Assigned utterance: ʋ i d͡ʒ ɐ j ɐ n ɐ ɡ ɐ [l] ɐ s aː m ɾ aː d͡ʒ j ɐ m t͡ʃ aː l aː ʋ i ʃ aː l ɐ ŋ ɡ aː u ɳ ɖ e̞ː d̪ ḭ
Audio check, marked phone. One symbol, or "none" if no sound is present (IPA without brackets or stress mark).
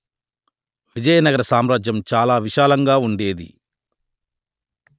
ɾ